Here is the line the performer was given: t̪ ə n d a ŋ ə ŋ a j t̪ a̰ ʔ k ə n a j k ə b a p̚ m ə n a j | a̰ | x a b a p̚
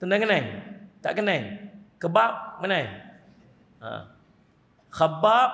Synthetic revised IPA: t̪ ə n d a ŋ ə n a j t̪ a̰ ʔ k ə n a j k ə b a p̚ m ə n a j | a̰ | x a b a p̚

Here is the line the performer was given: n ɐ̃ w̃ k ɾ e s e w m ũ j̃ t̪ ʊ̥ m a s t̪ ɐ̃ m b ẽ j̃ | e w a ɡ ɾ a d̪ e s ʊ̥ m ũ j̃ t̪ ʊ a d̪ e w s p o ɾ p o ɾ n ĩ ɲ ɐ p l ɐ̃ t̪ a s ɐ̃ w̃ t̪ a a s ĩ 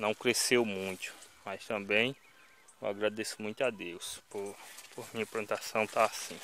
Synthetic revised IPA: n ɐ̃ w̃ k ɾ e s e w m ũ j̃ t̪ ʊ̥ m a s t̪ ɐ̃ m b ẽ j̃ | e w a ɡ ɾ a d̪ e s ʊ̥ m ũ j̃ t̪ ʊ a d̪ e w s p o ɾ p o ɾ m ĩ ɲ ɐ p l ɐ̃ t̪ a s ɐ̃ w̃ t̪ a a s ĩ

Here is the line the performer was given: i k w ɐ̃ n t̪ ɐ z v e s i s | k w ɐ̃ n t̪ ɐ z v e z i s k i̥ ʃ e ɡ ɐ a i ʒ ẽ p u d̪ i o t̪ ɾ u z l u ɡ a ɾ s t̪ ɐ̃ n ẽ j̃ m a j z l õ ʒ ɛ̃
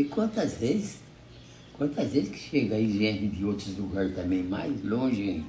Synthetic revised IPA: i k w ɐ̃ n t̪ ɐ z v e z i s | k w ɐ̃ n t̪ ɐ z v e z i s k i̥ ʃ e ɡ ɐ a i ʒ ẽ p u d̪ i o t̪ ɾ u z l u ɡ a ɾ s t̪ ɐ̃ m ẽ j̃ m a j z l õ ʒ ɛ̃

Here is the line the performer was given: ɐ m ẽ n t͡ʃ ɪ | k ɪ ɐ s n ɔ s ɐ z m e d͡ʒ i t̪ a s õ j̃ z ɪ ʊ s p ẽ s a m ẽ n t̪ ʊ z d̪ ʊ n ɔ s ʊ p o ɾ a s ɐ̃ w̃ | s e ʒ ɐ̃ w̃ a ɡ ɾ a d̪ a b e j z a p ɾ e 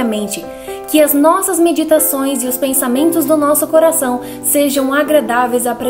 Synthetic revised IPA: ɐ m ẽ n t͡ʃ ɪ | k ɪ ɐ z n ɔ s ɐ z m e d͡ʒ i t̪ a s õ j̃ z ɪ ʊ s p ẽ s a m ẽ n t̪ ʊ z d̪ ʊ n ɔ s ʊ k o ɾ a s ɐ̃ w̃ | s e ʒ ɐ̃ w̃ a ɡ ɾ a d̪ a v e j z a p ɾ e

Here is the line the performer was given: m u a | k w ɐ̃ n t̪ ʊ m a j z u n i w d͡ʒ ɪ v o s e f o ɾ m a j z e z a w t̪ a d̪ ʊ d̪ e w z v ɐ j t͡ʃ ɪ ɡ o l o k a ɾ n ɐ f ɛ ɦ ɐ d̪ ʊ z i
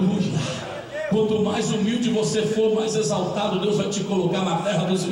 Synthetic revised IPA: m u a | k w ɐ̃ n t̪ ʊ m a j z u m i w d͡ʒ ɪ v o s e f o ɾ m a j z e z a w t̪ a d̪ ʊ d̪ e w z v a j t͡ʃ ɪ k o l o k a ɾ n ɐ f ɛ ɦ ɐ d̪ ʊ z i

